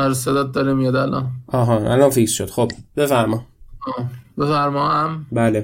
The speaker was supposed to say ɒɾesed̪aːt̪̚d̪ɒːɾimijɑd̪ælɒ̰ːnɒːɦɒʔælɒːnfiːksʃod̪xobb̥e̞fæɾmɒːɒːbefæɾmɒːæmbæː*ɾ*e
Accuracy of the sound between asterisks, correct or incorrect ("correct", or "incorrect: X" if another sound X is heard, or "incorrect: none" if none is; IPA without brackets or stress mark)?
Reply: incorrect: l